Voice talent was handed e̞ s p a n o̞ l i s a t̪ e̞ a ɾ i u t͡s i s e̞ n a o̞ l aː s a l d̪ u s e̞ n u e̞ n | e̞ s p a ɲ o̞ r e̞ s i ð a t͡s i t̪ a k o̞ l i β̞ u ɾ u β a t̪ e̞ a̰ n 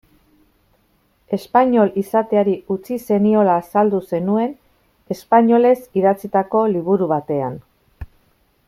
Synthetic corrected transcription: e̞ s p a ɲ o̞ l i s a t̪ e̞ a ɾ i u t͡s i s e̞ n i o̞ l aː s a l d̪ u s e̞ n u e̞ n | e̞ s p a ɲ o̞ l e̞ s i ð a t͡s i t̪ a k o̞ l i β̞ u ɾ u β a t̪ e̞ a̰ n